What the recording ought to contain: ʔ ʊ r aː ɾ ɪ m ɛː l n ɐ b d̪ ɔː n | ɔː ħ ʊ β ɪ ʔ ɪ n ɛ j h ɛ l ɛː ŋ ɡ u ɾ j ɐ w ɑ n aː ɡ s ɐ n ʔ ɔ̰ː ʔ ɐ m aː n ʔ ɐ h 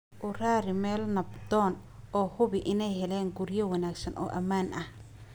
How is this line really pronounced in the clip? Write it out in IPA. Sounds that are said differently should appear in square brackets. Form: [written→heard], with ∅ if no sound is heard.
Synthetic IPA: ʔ ʊ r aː ɾ ɪ m ɛː l n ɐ b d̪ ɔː n | ɔː [ħ→h] ʊ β ɪ ʔ ɪ n ɛ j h ɛ l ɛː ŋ ɡ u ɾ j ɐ w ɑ n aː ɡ s ɐ n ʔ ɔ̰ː ʔ ɐ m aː n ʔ ɐ h